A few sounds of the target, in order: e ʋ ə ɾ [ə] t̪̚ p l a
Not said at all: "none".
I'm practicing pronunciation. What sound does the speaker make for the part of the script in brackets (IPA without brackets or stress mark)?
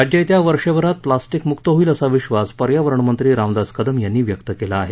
a